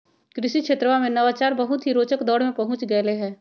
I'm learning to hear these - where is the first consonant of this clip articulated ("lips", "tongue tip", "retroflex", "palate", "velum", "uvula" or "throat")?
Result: velum